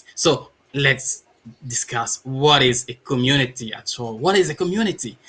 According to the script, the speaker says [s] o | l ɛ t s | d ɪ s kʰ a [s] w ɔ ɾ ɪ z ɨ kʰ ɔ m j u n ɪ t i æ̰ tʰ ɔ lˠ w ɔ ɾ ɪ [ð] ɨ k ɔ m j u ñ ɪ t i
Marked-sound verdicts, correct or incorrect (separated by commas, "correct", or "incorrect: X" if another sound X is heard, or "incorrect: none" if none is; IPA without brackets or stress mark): correct, correct, incorrect: z